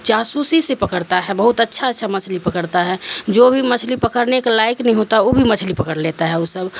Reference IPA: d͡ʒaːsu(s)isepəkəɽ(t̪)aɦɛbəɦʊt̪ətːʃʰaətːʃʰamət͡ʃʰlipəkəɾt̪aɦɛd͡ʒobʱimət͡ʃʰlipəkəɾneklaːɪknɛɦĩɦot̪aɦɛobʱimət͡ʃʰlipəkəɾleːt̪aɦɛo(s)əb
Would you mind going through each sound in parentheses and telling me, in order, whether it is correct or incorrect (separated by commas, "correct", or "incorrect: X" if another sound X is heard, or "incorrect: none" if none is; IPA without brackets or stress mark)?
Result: correct, correct, correct